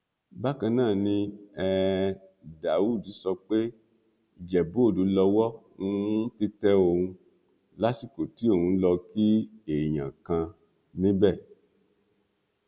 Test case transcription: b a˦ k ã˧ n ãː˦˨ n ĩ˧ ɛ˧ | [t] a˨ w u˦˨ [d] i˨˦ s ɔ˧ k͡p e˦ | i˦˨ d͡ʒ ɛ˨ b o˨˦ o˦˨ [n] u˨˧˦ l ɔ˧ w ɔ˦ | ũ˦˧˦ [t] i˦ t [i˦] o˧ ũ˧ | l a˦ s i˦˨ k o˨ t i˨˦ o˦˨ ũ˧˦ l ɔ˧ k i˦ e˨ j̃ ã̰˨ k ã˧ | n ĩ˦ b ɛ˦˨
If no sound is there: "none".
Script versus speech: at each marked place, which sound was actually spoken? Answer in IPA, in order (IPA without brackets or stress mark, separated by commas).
d, d, d, t, ɛ˦